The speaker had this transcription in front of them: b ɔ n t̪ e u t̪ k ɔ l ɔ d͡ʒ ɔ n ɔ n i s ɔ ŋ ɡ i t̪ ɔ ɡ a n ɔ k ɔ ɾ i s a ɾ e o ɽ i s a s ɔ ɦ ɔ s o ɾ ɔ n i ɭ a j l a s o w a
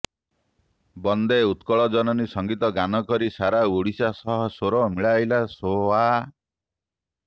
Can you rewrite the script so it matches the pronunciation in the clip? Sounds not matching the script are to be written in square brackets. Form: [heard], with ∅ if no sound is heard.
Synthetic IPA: b ɔ n [d̪] e u t̪ k ɔ [ɭ] ɔ d͡ʒ ɔ n ɔ n i s ɔ ŋ ɡ i t̪ ɔ ɡ a n ɔ k ɔ ɾ i s a ɾ [a] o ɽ i s a s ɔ ɦ ɔ s o ɾ ɔ [m] i ɭ a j l a s o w a